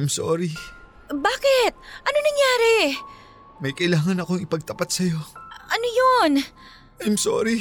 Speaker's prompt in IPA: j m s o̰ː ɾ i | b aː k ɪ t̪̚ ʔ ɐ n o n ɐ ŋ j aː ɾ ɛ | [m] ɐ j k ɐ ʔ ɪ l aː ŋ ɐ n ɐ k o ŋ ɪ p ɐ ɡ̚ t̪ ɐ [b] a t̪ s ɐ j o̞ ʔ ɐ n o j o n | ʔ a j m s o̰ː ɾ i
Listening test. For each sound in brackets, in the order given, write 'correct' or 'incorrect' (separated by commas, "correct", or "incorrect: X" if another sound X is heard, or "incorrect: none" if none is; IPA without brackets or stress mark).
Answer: correct, incorrect: p